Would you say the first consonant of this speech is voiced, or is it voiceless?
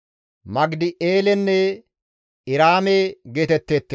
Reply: voiced